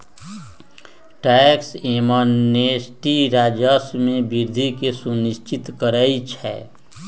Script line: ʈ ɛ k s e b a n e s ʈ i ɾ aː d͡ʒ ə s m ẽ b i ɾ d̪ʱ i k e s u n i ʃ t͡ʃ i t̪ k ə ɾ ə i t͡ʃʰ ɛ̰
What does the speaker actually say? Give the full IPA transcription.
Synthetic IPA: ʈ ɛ k s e m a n e s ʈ i ɾ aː d͡ʒ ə s m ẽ b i ɾ d̪ʱ i k e s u n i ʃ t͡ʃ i t̪ k ə ɾ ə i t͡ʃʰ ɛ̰